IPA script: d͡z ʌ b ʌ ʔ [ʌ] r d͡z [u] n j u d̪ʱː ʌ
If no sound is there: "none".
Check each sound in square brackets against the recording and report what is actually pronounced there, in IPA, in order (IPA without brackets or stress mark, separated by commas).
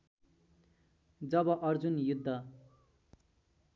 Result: ʌ, u